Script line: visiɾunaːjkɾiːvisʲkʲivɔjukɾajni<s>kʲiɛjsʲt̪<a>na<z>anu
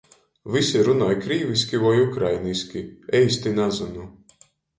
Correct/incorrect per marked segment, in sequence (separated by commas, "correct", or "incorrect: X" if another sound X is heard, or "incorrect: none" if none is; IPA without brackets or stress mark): correct, incorrect: i, correct